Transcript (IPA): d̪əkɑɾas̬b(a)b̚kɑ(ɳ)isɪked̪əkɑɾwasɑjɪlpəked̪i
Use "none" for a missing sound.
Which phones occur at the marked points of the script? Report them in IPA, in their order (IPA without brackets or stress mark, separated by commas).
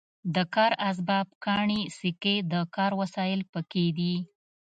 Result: ɑ, ɳ